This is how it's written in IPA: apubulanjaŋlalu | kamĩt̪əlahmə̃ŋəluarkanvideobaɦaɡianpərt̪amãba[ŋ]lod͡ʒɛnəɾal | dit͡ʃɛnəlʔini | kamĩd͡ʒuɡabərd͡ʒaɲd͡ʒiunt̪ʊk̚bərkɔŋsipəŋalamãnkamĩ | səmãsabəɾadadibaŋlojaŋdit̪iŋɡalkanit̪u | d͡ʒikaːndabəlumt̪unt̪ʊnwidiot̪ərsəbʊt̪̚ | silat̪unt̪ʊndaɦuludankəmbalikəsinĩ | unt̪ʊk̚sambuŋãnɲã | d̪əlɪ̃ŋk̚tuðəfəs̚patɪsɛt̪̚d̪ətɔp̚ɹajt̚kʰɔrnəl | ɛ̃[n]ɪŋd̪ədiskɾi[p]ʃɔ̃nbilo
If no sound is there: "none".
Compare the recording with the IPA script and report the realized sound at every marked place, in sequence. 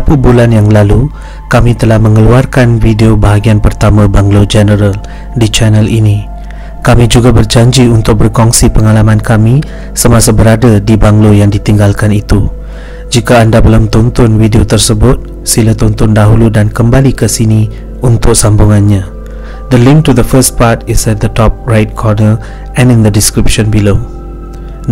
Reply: ŋ, n, p

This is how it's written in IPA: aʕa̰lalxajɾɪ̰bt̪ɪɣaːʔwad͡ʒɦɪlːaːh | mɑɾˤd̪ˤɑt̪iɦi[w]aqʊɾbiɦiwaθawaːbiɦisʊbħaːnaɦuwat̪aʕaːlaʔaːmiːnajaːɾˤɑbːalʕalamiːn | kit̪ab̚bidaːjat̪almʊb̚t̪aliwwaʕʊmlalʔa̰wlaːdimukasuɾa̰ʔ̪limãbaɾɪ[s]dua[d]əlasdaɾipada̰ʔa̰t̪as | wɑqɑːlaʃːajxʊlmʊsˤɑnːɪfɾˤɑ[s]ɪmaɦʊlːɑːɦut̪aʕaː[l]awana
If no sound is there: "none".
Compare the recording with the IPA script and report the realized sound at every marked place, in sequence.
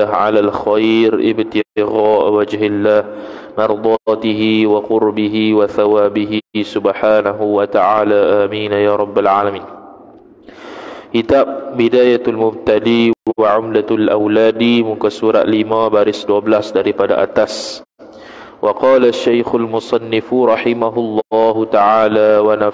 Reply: w, s, b, ħ, l

